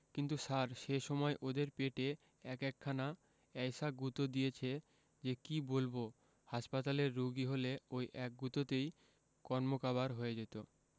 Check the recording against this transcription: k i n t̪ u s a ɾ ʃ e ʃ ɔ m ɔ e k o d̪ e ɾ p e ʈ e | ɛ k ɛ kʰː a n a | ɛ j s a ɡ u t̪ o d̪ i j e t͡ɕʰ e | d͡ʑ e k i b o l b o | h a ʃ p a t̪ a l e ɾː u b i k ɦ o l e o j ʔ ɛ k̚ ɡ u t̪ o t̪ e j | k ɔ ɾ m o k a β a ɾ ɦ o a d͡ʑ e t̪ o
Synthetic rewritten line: k i n t̪ u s a ɾ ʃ e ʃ ɔ m ɔ e ʔ o d̪ e ɾ p e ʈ e | ɛ k ɛ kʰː a n a | ɛ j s a ɡ u t̪ o d̪ i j e t͡ɕʰ e | d͡ʑ e k i b o l b o | h a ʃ p a t̪ a l e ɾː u ɡ i ɦ o l e o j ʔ ɛ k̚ ɡ u t̪ o t̪ e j | k ɔ ɾ m o k a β a ɾ ɦ o e d͡ʑ e t̪ o